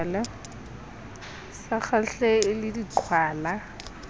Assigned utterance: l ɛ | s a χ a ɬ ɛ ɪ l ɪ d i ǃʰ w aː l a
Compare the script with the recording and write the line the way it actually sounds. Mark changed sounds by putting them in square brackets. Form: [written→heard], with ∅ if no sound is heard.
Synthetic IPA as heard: l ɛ | s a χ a ɬ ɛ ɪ l ɪ d i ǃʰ w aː l a